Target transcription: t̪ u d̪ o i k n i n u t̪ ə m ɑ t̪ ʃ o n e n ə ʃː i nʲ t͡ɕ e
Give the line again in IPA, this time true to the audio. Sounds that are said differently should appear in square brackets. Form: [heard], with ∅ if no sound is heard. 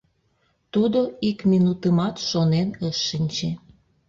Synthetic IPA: t̪ u d̪ o i k [m] i n u t̪ ə m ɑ t̪ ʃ o n e n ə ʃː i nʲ t͡ɕ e